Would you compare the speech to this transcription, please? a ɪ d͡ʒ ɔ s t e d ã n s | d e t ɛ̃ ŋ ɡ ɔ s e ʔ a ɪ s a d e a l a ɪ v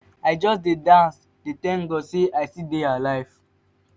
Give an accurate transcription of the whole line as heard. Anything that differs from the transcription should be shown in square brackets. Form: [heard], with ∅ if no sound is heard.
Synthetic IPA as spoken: a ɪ d͡ʒ ɔ s [d] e d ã n s | d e t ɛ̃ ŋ ɡ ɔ s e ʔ a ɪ s [i] d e a l a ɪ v